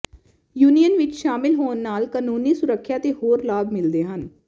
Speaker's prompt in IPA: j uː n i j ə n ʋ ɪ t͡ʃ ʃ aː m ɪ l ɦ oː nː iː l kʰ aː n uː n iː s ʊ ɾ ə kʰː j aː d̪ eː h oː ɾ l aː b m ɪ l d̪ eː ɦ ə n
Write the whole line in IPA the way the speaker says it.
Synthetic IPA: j uː n i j ə n ʋ ɪ t͡ʃ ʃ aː m ɪ l ɦ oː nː aː l k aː n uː n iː s ʊ ɾ ə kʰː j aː t̪ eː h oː ɾ l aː b m ɪ l d̪ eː ɦ ə n